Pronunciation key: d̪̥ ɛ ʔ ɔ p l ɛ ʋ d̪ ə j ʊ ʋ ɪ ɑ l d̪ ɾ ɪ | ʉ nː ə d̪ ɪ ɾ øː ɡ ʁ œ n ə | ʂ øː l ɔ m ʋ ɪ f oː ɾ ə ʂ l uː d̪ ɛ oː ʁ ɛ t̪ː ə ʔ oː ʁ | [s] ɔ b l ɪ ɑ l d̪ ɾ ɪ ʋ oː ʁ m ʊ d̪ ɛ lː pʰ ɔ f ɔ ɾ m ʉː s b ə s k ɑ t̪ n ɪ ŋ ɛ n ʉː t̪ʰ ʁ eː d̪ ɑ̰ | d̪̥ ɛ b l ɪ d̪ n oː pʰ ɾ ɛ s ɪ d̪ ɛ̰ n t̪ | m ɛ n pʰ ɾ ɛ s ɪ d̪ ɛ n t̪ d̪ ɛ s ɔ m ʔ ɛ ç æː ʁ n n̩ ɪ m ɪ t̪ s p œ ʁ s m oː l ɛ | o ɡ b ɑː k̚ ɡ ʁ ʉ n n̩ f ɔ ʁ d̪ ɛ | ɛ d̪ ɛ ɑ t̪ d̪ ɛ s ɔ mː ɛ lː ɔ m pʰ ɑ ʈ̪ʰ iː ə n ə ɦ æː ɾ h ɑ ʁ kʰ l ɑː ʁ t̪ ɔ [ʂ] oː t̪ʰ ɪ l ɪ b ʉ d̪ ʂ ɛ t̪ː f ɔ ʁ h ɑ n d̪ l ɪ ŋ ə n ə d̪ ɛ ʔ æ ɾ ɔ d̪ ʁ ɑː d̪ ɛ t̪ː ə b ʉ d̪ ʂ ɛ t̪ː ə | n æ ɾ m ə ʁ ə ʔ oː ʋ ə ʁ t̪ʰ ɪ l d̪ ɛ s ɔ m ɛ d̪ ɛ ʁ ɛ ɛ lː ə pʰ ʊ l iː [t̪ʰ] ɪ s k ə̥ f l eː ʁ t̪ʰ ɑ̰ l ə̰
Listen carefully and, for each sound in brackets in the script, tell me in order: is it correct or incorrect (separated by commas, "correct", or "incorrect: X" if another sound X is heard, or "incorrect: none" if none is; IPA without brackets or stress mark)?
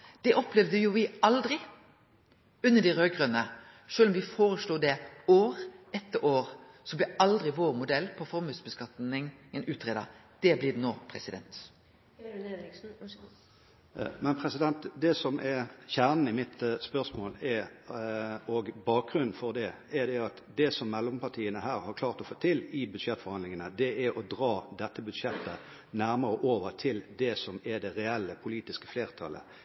correct, incorrect: f, incorrect: t̪